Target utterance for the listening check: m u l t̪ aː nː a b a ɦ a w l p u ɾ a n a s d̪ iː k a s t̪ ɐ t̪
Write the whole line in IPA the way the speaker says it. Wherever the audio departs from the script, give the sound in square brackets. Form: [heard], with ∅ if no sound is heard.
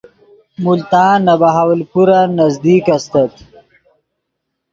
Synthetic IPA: m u l t̪ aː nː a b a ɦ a w l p u ɾ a n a [z] d̪ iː k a s t̪ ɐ t̪